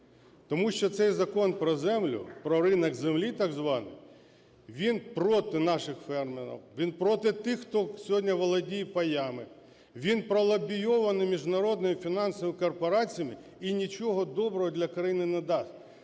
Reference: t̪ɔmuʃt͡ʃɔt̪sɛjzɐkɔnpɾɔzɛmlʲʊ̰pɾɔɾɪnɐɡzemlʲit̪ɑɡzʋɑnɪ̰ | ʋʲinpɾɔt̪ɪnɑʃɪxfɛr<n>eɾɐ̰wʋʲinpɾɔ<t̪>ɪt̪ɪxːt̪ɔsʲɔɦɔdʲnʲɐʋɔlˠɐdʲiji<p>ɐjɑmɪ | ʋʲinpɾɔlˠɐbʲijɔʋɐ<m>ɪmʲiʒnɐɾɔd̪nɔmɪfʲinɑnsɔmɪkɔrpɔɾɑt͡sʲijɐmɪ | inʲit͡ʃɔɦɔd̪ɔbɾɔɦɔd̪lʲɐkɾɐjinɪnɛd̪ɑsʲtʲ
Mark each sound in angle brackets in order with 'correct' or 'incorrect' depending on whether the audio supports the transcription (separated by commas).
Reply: incorrect, correct, correct, incorrect